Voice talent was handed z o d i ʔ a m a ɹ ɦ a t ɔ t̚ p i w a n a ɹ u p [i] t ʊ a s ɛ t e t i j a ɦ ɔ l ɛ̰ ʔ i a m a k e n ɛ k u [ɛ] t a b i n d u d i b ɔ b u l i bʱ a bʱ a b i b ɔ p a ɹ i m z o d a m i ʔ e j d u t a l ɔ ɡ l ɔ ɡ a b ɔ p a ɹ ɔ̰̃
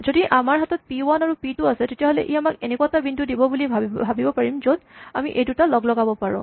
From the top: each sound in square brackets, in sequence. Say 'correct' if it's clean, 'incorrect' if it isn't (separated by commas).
correct, incorrect